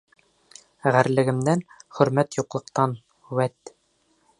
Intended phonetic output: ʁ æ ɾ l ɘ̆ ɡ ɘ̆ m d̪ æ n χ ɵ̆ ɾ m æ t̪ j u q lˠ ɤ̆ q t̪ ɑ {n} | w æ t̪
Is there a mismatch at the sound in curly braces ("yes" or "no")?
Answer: no